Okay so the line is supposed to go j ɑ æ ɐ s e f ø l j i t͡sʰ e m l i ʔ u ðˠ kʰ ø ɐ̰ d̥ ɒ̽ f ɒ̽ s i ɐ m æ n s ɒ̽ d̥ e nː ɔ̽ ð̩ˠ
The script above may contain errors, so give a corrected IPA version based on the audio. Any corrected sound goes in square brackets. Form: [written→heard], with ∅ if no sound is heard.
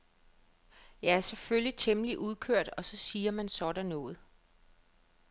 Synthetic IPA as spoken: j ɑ æ ɐ s e f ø l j i t͡sʰ e m l i ʔ u ðˠ kʰ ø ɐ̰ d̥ ɒ̽ [f→s] ɒ̽ s [i→iː] ɐ m æ n s ɒ̽ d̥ [e→æ] nː [ɔ̽→ɔ̽ː] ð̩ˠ